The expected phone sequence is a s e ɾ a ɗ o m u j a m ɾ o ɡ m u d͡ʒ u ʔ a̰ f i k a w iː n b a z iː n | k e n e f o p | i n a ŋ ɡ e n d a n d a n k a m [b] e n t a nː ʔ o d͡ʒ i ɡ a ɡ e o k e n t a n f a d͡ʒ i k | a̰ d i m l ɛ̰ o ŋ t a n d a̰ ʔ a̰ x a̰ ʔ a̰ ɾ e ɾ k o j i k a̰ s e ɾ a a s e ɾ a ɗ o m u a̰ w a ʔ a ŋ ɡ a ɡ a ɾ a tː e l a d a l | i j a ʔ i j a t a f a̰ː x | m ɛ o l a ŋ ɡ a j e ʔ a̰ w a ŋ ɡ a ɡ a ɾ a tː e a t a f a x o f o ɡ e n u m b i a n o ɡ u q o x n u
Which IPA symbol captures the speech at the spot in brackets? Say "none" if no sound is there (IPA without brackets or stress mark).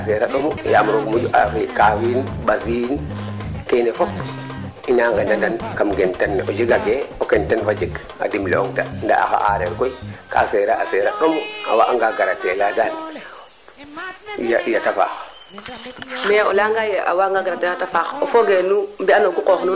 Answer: ɡ